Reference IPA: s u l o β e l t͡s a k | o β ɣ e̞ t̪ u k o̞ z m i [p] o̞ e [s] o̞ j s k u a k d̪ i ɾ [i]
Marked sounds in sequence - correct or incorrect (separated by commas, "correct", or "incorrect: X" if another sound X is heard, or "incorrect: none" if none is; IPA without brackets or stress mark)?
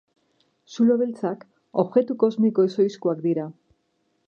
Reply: incorrect: k, correct, incorrect: a